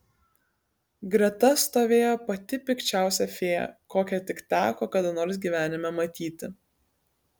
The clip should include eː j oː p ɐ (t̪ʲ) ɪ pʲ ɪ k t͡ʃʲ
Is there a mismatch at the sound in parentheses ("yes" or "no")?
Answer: no